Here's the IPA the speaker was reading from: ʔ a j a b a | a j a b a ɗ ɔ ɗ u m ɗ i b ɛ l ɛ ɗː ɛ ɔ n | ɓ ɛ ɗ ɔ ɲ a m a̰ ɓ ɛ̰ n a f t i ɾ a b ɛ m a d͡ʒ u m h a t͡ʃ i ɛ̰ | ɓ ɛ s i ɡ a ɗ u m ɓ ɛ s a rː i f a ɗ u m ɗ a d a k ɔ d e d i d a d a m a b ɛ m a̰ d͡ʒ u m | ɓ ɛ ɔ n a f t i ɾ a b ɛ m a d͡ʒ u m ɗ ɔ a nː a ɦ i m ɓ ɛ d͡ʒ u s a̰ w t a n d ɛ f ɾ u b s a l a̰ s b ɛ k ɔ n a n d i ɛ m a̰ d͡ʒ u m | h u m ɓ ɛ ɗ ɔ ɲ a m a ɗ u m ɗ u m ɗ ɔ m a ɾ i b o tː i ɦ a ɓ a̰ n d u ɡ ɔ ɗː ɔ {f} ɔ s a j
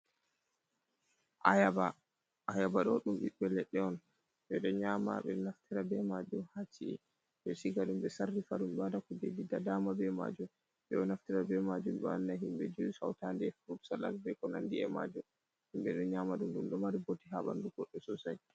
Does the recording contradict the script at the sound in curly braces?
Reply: yes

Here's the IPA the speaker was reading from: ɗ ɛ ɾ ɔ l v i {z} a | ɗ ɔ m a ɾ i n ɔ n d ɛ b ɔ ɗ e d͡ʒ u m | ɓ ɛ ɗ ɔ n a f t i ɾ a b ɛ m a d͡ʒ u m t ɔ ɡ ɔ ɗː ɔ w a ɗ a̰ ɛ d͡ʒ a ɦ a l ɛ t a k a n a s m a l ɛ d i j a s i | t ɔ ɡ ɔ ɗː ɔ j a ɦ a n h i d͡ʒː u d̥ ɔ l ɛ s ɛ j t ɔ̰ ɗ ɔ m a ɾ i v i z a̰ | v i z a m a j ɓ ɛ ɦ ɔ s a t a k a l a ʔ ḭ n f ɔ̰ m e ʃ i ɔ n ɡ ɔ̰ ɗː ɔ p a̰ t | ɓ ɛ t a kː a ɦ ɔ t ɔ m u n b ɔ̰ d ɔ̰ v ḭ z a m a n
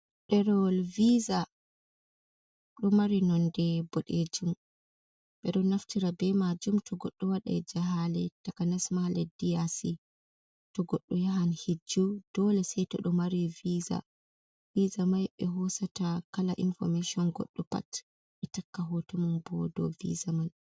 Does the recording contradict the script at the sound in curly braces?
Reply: no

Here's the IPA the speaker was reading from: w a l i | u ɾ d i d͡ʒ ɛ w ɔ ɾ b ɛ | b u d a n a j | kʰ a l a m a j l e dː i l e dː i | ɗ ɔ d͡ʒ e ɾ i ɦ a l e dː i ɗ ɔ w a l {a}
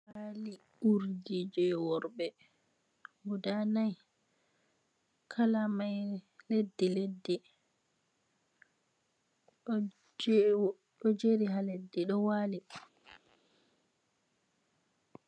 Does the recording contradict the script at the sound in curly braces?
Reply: yes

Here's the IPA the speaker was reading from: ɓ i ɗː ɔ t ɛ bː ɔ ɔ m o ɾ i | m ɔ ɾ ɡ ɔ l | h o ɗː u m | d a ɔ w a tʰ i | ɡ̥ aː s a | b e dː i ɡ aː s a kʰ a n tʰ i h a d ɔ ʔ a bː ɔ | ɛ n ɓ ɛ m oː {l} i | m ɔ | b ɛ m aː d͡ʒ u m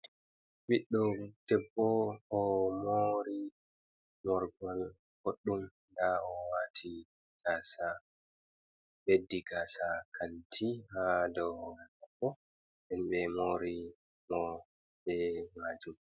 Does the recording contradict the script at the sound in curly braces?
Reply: yes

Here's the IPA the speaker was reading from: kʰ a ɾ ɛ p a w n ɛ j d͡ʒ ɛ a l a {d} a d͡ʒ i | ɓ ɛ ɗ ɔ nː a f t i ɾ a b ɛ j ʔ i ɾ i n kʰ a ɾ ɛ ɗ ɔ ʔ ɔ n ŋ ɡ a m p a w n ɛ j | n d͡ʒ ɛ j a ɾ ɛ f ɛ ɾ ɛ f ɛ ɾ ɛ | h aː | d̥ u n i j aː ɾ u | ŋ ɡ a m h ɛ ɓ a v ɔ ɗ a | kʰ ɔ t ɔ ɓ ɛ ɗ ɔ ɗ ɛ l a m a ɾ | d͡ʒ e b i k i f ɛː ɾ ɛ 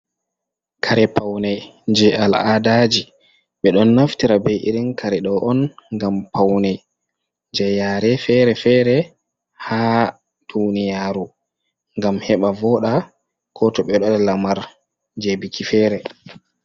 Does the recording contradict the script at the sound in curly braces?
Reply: no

